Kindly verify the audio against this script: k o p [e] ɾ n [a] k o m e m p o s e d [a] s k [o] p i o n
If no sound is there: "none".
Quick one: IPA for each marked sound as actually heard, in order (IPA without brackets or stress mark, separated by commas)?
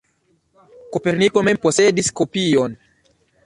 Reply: e, i, i, o